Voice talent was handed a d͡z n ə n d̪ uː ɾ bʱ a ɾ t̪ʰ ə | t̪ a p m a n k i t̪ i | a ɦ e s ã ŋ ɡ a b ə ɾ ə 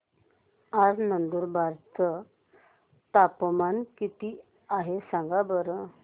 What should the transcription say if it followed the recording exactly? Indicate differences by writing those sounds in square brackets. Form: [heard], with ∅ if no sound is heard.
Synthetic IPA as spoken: a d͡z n ə n d̪ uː ɾ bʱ a ɾ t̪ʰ ə | t̪ a p m a n k i t̪ i | a ɦ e s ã ŋ ɡ a b ə ɾ ə